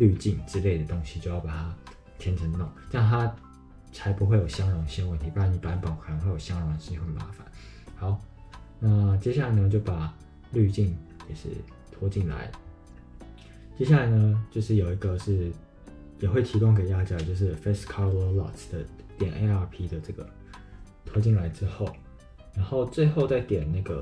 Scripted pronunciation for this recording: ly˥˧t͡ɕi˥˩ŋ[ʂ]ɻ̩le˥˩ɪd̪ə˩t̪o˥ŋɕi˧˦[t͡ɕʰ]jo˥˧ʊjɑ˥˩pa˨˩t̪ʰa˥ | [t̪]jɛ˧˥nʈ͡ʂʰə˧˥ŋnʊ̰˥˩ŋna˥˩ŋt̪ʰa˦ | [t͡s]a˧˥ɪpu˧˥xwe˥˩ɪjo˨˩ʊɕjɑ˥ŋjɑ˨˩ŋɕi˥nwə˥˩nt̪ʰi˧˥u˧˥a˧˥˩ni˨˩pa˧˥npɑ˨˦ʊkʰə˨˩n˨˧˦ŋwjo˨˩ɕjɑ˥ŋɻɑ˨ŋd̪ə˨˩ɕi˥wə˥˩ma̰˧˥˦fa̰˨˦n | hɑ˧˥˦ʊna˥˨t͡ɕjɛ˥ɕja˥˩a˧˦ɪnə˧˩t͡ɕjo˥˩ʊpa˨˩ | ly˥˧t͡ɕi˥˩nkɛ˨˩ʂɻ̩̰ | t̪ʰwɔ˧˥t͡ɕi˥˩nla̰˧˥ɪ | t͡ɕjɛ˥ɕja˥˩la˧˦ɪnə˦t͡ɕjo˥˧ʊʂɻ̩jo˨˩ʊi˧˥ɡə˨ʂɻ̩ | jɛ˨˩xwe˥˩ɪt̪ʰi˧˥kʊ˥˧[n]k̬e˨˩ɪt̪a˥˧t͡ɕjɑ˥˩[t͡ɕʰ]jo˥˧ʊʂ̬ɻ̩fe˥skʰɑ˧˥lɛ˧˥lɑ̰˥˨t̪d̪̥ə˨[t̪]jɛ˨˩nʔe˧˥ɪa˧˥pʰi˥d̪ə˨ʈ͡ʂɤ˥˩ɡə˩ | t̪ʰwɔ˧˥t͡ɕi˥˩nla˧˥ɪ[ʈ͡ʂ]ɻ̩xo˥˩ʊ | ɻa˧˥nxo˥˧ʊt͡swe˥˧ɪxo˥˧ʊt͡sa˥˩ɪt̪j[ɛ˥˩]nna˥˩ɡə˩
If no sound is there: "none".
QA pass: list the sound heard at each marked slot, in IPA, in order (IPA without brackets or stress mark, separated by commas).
ʈ͡ʂ, t͡ɕ, t̪ʰ, t͡sʰ, ŋ, t͡ɕ, t̪, ʈ͡ʂ, ɛ˨˩